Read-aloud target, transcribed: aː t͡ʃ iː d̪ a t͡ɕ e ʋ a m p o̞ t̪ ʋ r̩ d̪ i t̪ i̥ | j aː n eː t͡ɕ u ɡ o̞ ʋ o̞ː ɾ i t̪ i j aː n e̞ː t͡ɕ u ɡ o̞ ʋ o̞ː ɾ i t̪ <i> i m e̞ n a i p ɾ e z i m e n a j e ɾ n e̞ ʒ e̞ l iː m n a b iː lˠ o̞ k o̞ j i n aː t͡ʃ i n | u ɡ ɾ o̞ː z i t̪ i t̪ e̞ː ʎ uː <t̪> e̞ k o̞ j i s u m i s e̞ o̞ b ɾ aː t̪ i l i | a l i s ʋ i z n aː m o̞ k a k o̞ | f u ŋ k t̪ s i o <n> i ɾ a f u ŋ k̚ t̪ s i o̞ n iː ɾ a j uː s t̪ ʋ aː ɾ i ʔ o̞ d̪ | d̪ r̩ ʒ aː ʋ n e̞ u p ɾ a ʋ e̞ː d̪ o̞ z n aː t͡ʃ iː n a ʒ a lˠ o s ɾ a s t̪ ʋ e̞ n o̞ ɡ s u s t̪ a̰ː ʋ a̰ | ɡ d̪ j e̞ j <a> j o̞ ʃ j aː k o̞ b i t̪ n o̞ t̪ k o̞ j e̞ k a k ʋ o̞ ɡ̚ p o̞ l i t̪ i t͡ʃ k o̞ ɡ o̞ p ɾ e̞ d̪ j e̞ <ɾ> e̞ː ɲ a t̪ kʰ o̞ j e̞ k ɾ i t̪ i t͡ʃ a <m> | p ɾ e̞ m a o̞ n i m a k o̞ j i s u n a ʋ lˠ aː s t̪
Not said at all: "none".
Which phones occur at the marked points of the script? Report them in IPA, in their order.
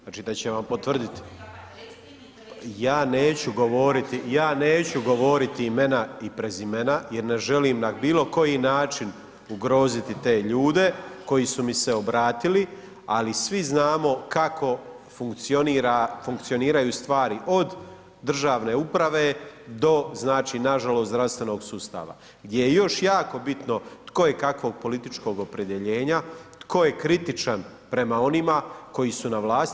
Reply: i, d̪, n, e, ʎ, n

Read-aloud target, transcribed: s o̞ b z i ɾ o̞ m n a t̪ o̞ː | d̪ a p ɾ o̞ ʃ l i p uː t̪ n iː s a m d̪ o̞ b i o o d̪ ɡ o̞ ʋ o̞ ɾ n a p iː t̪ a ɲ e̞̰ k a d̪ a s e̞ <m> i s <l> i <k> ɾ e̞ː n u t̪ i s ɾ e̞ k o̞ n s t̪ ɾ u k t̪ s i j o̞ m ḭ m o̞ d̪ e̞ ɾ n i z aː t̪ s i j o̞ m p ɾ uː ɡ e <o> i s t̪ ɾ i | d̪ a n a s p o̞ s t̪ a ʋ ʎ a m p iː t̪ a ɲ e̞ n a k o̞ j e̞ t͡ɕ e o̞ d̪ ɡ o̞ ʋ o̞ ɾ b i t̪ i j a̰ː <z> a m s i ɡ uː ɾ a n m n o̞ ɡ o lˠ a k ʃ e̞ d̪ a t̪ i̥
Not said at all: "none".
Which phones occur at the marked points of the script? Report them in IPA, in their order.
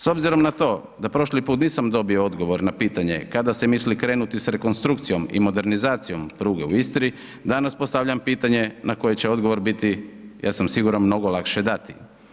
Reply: m, l, k, u, s

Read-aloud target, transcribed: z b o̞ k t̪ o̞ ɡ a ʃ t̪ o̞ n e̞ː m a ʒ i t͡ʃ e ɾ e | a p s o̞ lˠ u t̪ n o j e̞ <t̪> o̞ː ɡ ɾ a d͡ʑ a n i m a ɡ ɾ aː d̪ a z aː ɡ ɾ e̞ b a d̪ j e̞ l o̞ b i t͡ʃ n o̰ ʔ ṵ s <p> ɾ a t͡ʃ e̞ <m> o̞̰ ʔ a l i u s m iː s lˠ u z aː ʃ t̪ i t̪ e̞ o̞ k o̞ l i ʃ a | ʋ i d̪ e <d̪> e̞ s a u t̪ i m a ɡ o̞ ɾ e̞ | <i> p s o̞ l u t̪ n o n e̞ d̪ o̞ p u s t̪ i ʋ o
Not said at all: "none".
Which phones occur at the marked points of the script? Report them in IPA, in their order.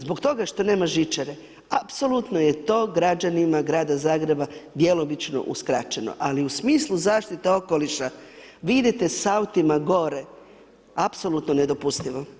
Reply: t̪, k, n, t̪, a

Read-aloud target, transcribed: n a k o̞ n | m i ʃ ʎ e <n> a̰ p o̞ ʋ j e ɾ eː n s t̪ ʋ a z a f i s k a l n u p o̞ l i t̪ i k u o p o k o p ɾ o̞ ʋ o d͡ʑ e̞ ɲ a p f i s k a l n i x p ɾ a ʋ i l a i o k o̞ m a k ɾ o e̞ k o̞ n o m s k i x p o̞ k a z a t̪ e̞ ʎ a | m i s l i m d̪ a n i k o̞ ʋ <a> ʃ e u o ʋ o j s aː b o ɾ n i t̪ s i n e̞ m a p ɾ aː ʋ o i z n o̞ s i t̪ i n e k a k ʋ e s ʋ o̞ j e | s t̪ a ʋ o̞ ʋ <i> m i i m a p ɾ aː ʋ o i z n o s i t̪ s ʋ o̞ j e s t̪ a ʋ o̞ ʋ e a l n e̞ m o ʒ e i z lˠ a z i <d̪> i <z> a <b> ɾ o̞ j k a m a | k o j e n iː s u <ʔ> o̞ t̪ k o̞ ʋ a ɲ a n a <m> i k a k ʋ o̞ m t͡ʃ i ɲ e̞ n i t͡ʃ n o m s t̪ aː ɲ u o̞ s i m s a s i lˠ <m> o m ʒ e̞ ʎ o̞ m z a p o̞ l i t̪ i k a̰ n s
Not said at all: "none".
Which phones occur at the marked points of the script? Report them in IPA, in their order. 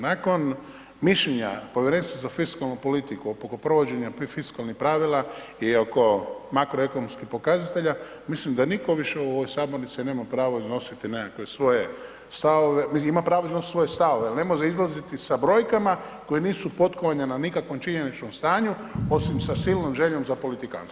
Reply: ɲ, i, e, t̪, s, b, p, n, n

